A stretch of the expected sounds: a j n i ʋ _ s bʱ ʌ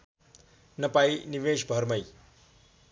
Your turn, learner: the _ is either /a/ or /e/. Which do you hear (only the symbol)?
e